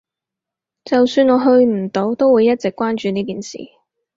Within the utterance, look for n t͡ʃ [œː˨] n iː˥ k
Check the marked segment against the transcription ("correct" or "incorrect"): incorrect